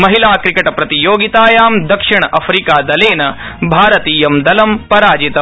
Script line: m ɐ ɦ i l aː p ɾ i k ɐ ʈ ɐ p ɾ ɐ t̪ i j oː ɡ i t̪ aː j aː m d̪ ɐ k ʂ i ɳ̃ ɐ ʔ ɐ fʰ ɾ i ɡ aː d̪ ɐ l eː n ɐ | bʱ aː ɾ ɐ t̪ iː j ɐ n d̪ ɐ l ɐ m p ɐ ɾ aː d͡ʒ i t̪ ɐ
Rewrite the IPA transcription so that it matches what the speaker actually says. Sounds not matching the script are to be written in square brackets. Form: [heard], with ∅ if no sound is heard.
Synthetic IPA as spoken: m ɐ ɦ i l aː [k] ɾ i k ɐ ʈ ɐ p ɾ ɐ t̪ i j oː ɡ i t̪ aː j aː m d̪ ɐ k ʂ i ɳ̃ ɐ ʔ ɐ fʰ ɾ i [k] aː d̪ ɐ l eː n ɐ | bʱ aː ɾ ɐ t̪ iː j ɐ [m] d̪ ɐ l ɐ m p ɐ ɾ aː d͡ʒ i t̪ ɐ